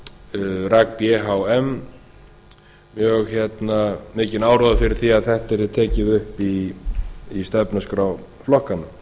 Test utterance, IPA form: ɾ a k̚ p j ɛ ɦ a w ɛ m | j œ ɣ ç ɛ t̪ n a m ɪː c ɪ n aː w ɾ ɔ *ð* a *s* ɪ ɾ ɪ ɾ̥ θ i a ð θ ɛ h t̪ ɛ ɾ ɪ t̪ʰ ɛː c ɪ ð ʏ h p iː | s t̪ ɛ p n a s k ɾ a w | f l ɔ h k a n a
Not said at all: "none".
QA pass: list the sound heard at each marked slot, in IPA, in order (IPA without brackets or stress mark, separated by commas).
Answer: ð, f